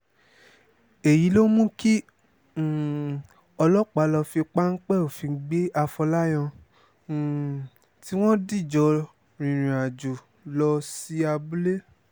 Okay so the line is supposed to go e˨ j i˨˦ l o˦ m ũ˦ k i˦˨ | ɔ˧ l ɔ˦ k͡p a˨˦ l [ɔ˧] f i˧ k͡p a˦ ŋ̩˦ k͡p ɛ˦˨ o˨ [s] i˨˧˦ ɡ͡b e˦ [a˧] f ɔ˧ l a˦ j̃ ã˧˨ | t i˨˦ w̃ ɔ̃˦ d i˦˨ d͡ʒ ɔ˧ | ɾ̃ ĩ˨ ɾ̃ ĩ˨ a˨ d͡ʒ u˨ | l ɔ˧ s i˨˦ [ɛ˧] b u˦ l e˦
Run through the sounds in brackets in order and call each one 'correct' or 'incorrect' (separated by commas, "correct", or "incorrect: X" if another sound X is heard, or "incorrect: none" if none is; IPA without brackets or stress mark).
correct, incorrect: f, correct, incorrect: a˧